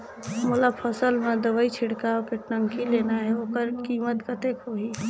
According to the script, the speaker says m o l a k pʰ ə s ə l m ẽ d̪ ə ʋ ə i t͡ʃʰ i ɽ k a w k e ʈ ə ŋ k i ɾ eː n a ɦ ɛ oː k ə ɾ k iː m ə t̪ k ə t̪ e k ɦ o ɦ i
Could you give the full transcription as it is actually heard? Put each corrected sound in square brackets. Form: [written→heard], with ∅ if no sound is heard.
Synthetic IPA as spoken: m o l a [k→∅] pʰ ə s ə l m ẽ d̪ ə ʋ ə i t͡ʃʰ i ɽ k a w k e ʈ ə ŋ k i [ɾ→l] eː n a ɦ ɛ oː k ə ɾ k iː m ə t̪ k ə t̪ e k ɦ o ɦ i